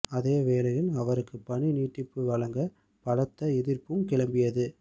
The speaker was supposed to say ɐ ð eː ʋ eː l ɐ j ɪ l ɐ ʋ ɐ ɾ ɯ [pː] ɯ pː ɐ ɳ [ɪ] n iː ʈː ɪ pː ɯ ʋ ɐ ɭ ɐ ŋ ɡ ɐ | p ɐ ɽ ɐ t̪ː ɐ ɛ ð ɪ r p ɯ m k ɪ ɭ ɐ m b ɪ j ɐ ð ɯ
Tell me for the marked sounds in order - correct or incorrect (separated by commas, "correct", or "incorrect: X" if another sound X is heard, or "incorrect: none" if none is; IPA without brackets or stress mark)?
incorrect: kː, incorrect: i